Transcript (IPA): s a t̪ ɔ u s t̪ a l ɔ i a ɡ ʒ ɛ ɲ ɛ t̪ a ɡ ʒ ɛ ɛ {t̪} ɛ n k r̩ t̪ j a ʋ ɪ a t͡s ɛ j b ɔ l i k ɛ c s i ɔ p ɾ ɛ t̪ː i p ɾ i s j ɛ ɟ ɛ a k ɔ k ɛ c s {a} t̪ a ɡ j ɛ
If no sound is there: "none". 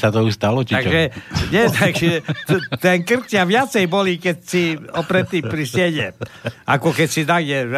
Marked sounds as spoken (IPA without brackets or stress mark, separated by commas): t̪, i